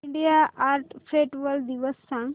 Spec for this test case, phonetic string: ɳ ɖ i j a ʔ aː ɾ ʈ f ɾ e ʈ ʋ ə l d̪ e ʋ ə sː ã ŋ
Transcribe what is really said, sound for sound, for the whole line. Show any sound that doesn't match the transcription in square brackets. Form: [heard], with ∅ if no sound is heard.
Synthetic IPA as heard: ɳ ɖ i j a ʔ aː ɾ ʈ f ɾ e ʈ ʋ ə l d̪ [i] ʋ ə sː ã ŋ

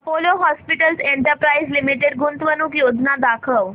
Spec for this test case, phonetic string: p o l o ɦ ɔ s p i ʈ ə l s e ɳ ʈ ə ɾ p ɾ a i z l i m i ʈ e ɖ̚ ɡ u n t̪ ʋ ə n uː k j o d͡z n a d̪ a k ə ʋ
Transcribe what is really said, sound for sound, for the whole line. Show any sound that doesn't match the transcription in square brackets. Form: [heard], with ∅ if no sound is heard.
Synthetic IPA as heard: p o l o ɦ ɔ s p i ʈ ə l s e ɳ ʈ ə ɾ p ɾ a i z l i m i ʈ e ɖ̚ ɡ u n t̪ ʋ ə n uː k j o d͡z n a d̪ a [kʰ] ə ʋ

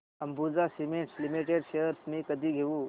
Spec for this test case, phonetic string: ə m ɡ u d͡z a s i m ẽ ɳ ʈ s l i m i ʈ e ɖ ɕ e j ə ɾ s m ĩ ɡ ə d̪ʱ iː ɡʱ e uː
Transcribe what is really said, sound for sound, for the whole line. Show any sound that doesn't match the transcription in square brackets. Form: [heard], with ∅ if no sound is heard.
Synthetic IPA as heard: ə m [b] u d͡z a s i m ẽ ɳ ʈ s l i m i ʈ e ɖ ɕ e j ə ɾ s m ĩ [k] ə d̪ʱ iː ɡʱ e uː

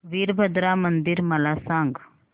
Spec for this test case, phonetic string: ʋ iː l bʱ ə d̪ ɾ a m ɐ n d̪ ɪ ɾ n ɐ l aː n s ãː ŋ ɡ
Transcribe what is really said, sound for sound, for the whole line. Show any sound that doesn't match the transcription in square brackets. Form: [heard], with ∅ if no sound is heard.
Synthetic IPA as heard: ʋ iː [ɾ] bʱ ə d̪ ɾ a m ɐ n d̪ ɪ ɾ [m] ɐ l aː [∅] s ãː ŋ ɡ

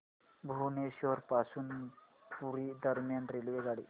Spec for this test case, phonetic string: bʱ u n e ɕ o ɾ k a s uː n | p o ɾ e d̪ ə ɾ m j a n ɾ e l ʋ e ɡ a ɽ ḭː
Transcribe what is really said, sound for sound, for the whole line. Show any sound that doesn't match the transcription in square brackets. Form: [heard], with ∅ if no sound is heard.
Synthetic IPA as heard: bʱ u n e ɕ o ɾ [p] a s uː n | p [u] ɾ [i] d̪ ə ɾ m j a n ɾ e l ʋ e ɡ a ɽ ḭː

